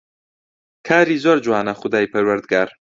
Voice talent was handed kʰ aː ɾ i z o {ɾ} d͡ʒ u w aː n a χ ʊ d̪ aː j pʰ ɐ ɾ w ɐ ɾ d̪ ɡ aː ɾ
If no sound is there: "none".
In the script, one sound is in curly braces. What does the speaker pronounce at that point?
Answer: ɾ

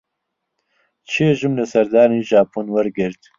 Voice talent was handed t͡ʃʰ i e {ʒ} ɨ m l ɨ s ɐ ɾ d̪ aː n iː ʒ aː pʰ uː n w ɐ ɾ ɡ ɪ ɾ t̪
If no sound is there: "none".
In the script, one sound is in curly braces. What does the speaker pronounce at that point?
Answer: ʒ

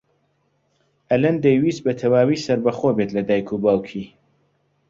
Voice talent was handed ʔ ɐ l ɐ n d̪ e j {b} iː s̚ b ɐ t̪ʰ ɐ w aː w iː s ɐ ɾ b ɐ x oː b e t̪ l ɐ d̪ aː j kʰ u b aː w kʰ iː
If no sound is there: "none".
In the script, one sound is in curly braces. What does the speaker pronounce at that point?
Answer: w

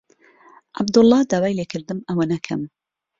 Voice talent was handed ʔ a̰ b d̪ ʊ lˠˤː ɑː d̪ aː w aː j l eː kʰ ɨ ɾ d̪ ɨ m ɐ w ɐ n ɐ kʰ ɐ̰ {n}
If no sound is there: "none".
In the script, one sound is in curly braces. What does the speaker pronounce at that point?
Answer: m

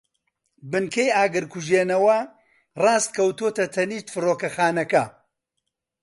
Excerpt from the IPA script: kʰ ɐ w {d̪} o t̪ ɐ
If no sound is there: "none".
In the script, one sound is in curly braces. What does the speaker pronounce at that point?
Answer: t̪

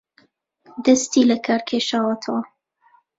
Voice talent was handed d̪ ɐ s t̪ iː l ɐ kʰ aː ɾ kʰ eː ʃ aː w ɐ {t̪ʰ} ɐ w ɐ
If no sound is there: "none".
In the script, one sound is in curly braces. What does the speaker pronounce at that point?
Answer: t̪ʰ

